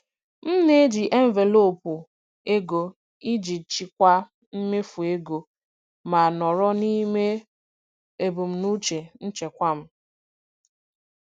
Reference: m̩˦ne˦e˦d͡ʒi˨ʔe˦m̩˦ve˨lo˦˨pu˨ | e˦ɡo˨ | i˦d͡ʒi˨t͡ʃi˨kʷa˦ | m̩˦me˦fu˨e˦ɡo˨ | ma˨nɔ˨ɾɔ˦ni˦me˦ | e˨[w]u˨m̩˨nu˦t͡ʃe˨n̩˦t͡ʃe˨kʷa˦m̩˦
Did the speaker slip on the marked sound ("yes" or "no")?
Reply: yes